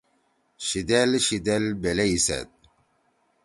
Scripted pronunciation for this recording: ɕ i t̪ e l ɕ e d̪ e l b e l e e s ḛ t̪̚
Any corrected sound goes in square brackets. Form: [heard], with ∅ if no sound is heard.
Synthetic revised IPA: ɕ i [d̪] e l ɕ [i] d̪ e l b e l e [i] s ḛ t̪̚